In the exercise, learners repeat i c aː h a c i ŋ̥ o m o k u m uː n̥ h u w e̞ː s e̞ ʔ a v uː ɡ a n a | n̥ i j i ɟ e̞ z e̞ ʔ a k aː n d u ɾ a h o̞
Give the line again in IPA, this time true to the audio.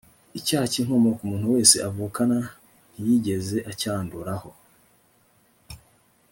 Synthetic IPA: i c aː h a c i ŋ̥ o m o k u m uː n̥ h u w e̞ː s e̞ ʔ a v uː k a n a | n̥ i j i ɟ e̞ z e̞ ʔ a c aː n d u ɾ a h o̞